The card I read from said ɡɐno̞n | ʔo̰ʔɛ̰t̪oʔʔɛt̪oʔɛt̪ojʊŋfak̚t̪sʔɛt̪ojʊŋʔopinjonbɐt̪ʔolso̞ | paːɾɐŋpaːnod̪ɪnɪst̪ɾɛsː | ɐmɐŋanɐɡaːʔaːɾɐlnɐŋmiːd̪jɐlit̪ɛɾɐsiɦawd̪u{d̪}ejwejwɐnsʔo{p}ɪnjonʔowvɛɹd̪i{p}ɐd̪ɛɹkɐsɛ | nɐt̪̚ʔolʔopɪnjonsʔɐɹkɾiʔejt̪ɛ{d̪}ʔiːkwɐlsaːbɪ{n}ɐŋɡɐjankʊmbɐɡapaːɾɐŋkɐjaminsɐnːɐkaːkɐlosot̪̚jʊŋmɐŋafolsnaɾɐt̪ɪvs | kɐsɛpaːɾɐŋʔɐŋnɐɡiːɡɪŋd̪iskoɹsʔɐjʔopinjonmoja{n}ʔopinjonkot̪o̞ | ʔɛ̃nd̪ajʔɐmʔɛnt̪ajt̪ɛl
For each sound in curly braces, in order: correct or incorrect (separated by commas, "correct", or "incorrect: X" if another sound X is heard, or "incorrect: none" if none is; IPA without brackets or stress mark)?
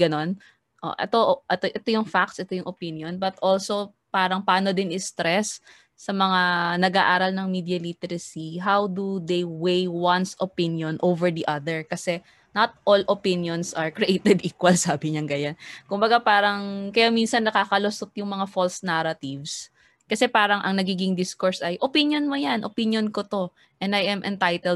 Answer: correct, correct, incorrect: ʔ, correct, incorrect: ɲ, correct